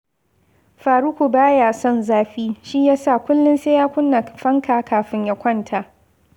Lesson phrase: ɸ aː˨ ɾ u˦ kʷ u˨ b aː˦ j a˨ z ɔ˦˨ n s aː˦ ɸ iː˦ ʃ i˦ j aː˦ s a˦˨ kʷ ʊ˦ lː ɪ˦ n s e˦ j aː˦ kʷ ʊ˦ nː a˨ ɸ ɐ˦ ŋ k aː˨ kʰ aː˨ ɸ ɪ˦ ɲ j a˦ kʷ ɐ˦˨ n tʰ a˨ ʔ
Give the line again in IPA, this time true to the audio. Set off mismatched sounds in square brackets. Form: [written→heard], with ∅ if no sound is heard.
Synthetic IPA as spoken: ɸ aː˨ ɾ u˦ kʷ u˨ b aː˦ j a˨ [z→s] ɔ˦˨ n [s→z] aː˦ ɸ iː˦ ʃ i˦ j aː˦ s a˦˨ kʷ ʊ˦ lː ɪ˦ n s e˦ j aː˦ kʷ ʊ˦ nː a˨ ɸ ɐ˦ ŋ k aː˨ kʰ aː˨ ɸ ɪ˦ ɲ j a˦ kʷ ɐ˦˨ n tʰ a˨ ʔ